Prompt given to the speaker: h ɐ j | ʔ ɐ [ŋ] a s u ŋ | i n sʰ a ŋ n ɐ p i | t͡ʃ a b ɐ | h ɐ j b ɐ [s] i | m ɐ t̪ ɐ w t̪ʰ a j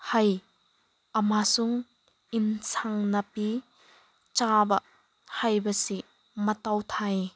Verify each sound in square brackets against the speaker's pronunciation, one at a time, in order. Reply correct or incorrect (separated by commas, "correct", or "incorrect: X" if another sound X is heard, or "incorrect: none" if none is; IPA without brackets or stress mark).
incorrect: m, correct